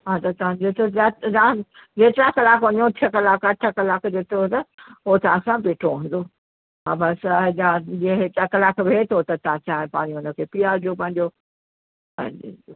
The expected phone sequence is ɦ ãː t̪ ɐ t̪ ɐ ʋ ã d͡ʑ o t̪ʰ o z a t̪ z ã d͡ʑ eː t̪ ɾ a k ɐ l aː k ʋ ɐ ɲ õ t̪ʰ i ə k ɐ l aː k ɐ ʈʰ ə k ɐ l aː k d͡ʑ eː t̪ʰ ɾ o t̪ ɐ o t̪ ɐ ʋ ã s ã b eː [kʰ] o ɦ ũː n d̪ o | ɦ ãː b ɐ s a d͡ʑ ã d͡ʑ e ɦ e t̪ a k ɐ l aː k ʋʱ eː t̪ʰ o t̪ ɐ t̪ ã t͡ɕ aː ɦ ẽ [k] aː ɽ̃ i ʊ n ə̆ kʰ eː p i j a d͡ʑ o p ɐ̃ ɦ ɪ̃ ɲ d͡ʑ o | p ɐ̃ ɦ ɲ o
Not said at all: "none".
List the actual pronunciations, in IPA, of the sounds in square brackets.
ʈʰ, p

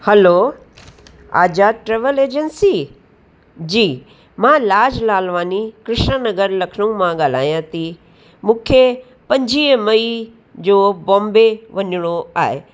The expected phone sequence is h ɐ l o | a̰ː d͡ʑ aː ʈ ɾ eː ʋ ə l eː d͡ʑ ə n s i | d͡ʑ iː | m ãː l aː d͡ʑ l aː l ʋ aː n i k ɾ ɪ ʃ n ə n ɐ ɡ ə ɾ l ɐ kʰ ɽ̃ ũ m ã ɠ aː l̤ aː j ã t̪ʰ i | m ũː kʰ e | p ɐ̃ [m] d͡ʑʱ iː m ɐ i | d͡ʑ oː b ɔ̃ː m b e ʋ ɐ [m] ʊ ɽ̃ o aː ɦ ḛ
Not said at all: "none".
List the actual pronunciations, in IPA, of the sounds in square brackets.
ɲ, ɲ

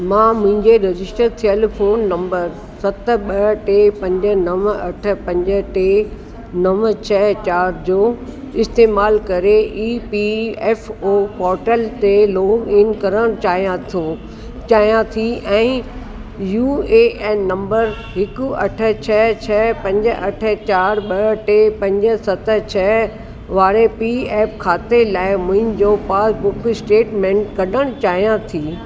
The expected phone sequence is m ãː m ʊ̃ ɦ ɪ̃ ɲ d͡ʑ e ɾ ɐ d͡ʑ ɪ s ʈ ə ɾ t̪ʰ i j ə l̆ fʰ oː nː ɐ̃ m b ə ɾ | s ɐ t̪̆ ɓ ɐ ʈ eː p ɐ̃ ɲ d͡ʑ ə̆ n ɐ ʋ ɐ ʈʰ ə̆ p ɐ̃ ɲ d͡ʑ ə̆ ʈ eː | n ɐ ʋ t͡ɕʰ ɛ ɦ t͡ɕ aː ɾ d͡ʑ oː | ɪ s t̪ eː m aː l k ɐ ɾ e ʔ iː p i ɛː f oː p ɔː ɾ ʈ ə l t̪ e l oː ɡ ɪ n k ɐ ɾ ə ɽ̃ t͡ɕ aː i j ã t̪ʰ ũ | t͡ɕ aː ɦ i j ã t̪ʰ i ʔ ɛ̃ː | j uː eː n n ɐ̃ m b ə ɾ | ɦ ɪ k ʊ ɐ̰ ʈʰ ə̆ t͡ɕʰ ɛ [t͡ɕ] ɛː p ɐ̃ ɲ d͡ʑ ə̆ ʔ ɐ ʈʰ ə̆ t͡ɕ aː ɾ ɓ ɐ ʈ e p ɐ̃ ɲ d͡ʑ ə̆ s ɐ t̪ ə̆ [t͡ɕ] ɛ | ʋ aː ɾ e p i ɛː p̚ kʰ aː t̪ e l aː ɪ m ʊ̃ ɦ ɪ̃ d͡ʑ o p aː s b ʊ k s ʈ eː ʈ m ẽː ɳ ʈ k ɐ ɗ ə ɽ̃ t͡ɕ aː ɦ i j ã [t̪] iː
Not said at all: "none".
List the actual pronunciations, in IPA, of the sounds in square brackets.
t͡ɕʰ, t͡ɕʰ, t̪ʰ

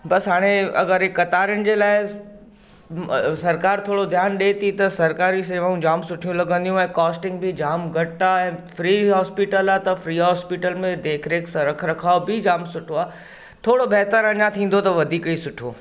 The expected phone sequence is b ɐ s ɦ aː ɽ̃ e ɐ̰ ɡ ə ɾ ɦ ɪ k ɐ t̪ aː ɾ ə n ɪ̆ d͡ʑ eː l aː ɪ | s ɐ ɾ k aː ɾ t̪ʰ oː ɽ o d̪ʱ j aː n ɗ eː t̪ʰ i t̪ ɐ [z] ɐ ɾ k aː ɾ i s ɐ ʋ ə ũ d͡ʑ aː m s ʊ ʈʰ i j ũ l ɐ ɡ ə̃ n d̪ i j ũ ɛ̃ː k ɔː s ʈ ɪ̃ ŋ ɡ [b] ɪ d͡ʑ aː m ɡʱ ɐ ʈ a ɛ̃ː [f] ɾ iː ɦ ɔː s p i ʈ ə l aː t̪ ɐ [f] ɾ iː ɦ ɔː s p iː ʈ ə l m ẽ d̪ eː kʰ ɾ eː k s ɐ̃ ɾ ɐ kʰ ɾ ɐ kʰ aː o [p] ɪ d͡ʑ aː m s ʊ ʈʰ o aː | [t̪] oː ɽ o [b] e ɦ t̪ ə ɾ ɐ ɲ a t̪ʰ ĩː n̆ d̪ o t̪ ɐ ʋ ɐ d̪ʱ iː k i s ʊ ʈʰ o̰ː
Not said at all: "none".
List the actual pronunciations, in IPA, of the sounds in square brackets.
s, b, f, f, b, t̪ʰ, b

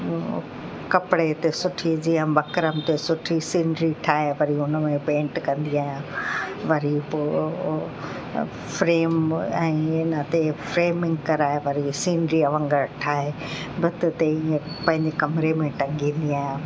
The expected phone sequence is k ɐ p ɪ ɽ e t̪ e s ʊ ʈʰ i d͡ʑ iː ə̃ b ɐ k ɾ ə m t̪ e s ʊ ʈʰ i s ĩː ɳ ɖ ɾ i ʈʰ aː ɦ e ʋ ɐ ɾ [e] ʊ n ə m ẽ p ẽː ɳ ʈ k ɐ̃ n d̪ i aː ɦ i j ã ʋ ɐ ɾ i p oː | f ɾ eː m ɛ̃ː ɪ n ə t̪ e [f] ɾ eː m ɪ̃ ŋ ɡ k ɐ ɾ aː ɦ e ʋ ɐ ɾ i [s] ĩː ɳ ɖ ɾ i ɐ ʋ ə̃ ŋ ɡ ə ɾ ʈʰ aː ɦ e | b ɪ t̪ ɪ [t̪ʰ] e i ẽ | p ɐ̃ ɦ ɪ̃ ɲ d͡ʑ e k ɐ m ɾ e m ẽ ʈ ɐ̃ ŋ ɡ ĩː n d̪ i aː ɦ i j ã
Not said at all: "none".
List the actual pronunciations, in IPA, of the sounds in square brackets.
i, f, s, t̪

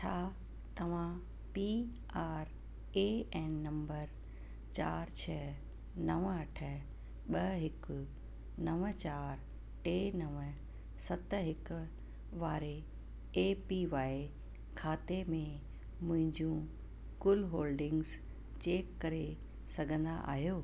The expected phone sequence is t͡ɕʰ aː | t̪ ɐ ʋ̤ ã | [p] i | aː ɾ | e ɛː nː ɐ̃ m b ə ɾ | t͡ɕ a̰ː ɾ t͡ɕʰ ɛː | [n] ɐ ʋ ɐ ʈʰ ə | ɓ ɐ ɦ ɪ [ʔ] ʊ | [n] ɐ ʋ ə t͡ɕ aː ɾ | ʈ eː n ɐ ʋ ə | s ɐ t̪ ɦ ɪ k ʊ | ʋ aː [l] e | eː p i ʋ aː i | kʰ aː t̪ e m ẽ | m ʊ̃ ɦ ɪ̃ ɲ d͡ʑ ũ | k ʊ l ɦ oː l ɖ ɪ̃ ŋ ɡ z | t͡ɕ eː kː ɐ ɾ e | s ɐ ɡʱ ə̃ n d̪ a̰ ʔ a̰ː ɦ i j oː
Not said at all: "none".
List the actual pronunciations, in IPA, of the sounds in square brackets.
p, n, k, n, ɾ

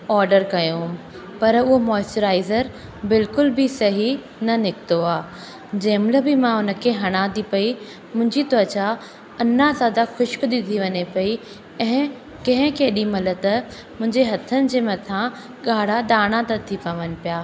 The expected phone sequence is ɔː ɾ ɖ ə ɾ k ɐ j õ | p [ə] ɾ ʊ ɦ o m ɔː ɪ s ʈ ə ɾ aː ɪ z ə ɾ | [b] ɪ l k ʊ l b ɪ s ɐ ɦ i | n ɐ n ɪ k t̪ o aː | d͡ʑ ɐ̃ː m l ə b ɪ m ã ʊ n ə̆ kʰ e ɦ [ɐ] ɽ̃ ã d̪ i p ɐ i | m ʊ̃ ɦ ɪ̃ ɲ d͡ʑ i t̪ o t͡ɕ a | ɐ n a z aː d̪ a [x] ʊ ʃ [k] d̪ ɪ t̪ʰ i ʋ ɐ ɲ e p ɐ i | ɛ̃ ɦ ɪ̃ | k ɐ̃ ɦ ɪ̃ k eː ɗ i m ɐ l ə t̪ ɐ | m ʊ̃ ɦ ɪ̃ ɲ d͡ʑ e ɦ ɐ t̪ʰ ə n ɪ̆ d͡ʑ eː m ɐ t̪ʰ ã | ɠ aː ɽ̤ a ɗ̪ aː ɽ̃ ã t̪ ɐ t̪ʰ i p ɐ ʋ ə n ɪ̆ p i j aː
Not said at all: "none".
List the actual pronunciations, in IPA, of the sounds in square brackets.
ɐ, b, ɐ, x, k

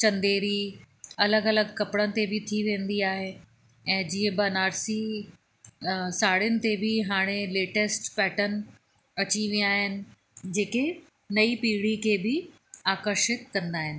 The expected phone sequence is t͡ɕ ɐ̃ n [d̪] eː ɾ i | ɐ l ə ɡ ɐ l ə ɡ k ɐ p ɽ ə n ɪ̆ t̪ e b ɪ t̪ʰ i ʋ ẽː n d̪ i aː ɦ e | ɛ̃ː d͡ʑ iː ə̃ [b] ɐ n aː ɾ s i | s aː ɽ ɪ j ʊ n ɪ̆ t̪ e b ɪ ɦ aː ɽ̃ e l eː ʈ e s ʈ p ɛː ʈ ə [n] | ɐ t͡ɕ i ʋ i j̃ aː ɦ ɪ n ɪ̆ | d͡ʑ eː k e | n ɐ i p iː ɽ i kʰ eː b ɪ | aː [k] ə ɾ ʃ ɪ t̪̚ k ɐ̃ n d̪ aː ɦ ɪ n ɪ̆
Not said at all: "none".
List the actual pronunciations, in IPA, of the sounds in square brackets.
d̪, b, n, k

